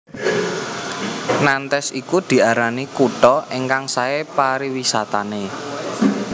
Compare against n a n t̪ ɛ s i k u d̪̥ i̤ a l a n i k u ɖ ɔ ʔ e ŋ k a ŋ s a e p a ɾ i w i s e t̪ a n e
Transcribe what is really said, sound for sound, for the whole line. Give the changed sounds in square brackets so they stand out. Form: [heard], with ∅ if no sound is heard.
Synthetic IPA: n a n t̪ ɛ s i k u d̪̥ i̤ a [ɾ] a n i k u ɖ ɔ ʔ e ŋ k a ŋ s a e p a ɾ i w i s [a] t̪ a n e

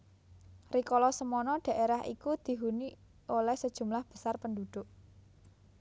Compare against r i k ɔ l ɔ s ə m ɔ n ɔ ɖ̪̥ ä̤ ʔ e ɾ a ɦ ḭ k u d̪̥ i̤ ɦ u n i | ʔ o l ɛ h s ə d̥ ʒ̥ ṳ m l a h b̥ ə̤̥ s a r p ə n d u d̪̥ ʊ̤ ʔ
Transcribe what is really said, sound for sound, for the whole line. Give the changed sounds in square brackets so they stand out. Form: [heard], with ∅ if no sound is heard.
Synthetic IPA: r i k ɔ l ɔ s ə m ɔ n ɔ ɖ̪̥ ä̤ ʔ e ɾ a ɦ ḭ k u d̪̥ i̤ ɦ u n i | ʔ o l ɛ h s ə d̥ ʒ̥ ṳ m l a h b̥ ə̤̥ s a r p ə n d u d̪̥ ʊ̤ ʔ

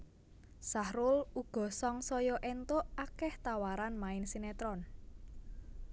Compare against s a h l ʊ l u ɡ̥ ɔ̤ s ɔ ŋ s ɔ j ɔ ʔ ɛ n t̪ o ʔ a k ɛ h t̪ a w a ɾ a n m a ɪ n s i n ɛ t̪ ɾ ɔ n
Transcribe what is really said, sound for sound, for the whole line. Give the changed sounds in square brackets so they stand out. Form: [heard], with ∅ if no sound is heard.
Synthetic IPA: s a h [ɾ] ʊ l u ɡ̥ ɔ̤ s ɔ ŋ s ɔ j ɔ ʔ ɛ n t̪ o ʔ a k ɛ h t̪ a w a ɾ a n m a ɪ n s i n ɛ t̪ ɾ ɔ n

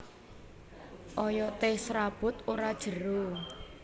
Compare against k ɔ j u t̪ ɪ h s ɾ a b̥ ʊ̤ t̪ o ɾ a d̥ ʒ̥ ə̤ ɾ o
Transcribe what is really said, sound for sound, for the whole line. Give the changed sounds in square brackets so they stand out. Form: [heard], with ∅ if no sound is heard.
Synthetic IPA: [ʔ] ɔ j [ɔ] t̪ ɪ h s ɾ a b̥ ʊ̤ t̪ o ɾ a d̥ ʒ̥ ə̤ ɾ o

